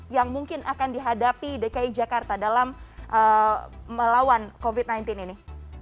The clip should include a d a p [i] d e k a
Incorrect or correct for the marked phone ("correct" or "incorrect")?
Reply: correct